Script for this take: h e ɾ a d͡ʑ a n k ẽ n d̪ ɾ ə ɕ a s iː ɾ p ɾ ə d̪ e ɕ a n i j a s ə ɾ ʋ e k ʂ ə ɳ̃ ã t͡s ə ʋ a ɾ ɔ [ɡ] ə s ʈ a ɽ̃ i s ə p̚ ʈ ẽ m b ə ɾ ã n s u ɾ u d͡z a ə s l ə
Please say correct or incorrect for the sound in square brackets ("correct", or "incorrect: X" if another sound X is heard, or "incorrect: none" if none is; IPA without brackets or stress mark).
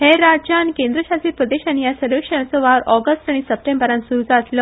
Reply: correct